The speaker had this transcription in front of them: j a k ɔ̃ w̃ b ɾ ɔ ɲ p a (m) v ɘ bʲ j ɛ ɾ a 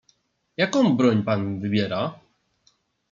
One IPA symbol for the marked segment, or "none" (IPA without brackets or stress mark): n